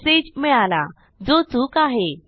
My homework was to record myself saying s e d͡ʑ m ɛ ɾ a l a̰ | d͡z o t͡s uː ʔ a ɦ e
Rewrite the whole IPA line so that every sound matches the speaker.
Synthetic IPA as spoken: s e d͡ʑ m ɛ ɭ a l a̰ | d͡z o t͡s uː k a ɦ e